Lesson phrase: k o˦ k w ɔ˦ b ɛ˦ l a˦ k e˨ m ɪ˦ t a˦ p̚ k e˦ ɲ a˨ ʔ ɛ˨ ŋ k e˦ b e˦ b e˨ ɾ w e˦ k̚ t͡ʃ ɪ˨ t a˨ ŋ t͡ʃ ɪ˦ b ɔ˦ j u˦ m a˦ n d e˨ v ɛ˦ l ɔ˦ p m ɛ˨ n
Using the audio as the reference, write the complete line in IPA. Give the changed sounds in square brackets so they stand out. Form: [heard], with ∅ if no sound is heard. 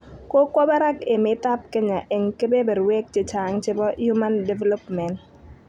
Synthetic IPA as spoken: k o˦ k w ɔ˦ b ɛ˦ [ɾ] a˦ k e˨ m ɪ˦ t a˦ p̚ k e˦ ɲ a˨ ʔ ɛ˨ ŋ k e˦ b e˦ b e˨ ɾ w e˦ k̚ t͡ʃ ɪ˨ [t͡ʃ] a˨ ŋ t͡ʃ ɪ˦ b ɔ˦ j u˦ m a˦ n d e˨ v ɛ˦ l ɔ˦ p m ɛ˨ n